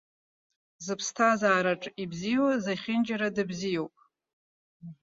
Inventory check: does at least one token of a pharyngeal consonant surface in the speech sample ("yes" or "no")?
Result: no